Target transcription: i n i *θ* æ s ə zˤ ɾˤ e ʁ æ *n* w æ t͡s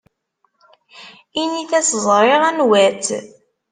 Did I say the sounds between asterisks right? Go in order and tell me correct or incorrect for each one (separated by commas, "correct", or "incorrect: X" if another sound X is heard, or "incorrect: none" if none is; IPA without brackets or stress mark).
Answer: correct, correct